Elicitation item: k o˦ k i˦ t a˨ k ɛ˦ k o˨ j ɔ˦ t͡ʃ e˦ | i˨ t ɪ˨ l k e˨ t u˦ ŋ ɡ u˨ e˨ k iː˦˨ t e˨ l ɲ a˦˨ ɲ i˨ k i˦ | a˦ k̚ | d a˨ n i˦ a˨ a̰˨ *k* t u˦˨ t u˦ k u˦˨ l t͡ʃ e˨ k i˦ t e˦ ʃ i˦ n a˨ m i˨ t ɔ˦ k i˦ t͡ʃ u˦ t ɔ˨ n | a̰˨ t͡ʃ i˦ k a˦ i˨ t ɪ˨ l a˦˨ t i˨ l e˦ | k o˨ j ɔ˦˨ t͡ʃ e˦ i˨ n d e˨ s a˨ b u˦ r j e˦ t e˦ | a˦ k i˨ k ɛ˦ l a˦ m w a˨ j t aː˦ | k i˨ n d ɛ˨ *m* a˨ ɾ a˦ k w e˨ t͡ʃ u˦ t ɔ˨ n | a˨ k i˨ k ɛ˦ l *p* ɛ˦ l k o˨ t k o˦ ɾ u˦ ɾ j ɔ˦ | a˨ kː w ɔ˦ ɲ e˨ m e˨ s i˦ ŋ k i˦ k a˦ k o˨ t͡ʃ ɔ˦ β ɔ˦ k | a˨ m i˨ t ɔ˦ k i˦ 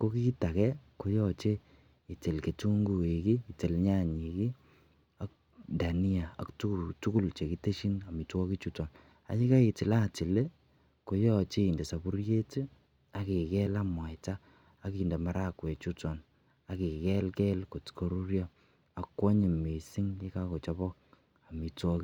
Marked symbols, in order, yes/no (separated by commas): yes, yes, no